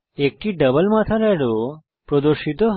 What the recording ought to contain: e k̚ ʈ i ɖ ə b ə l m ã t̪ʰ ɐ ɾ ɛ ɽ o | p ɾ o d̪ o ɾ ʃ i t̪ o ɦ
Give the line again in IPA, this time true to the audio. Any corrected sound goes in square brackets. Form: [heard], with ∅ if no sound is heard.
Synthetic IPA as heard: e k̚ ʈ i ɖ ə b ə l m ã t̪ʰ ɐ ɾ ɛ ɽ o | p ɾ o d̪ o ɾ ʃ i t̪ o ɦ